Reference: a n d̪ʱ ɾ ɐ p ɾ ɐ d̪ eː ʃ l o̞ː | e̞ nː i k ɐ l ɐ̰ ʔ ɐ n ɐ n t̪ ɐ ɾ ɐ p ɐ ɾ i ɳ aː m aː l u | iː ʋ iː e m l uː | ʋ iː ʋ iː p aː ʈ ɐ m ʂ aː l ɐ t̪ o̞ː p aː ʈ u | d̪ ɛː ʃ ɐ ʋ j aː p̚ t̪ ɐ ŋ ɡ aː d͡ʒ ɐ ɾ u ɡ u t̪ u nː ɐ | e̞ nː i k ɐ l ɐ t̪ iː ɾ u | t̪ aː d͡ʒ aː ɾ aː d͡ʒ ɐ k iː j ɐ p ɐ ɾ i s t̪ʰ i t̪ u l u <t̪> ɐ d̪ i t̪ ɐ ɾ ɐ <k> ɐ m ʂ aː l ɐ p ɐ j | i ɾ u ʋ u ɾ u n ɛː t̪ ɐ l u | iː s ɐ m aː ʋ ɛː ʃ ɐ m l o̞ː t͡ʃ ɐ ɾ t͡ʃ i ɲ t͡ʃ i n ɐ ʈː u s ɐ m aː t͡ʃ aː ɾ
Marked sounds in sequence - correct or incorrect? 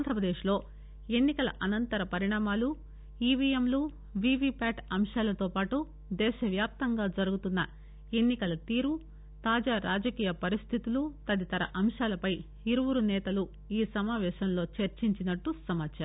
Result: correct, incorrect: ʔ

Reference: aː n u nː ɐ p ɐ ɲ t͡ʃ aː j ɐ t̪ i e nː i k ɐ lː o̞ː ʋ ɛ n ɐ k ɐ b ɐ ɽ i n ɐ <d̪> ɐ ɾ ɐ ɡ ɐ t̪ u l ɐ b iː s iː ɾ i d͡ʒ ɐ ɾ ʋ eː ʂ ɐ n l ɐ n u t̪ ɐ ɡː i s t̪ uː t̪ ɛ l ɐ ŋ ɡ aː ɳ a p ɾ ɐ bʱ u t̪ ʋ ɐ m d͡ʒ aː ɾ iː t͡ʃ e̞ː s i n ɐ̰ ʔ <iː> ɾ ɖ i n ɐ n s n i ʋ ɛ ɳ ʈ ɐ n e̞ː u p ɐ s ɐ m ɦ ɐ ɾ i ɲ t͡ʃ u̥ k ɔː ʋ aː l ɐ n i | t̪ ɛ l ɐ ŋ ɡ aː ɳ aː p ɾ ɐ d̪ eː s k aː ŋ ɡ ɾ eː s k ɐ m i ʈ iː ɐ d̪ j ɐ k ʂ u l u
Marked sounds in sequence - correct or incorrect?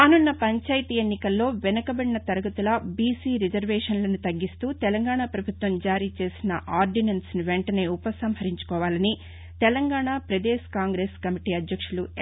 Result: incorrect: t̪, incorrect: aː

